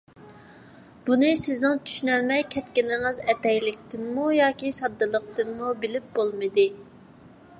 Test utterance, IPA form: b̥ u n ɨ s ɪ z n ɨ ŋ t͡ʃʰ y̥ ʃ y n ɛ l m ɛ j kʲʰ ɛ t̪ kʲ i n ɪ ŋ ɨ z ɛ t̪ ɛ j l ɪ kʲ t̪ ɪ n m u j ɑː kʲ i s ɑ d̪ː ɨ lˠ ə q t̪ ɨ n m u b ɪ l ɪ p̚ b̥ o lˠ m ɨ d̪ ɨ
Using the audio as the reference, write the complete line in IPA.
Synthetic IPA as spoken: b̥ u n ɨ s ɪ z n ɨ ŋ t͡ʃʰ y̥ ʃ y n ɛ l m ɛ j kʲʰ ɛ t̪ kʲ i n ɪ ŋ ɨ z ɛ t̪ ɛ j l ɪ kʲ t̪ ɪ n m u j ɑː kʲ i s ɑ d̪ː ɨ lˠ ə q t̪ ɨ n m u b ɪ l ɪ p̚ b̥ o lˠ m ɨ d̪ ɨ